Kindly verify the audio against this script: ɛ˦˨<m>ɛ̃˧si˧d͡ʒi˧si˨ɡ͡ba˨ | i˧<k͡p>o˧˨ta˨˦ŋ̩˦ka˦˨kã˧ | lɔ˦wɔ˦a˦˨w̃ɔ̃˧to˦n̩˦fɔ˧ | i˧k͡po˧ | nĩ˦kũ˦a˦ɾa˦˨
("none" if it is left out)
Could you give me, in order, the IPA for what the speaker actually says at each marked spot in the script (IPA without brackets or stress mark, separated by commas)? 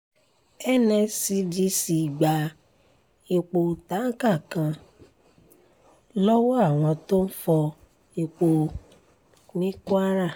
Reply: n, k͡p